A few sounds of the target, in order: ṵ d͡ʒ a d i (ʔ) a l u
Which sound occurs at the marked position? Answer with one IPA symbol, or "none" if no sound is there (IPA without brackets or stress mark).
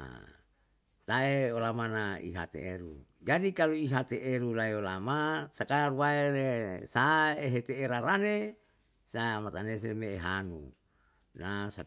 k